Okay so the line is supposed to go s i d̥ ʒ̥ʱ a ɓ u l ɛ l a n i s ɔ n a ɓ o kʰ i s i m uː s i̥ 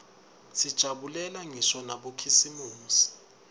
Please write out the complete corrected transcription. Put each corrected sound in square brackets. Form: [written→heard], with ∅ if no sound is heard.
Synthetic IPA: s i d̥ ʒ̥ʱ a ɓ u l ɛ l a [n→ŋ] i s ɔ n a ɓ o kʰ i s i m uː s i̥